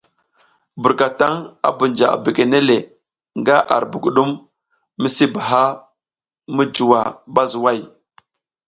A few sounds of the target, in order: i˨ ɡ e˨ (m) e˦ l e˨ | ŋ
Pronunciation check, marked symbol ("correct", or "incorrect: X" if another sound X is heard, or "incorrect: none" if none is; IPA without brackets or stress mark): incorrect: n